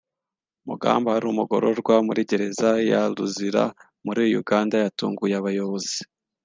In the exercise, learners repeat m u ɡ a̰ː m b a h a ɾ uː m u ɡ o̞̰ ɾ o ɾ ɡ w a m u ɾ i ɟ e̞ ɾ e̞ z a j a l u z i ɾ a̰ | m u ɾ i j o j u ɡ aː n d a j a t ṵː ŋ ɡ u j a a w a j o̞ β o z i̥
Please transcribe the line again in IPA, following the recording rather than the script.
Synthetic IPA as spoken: m u ɡ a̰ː m b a h a ɾ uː m u ɡ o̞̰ ɾ o ɾ ɡ w a m u ɾ i ɟ e̞ ɾ e̞ z a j a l u z i ɾ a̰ | m u ɾ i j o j u ɡ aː n d a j a t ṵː ŋ ɡ u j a a β a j o̞ β o z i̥